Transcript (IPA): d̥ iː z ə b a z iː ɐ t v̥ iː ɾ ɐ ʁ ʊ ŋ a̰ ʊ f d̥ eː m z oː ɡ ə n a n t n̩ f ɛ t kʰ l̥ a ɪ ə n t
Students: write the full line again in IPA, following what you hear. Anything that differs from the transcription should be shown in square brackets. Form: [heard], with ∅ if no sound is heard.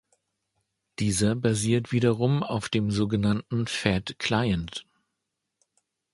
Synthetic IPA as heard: d̥ iː z [ɐ] b a z iː ɐ t v̥ iː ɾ ɐ ʁ ʊ [m] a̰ ʊ f d̥ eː m z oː ɡ ə n a n t n̩ f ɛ t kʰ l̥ a ɪ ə n t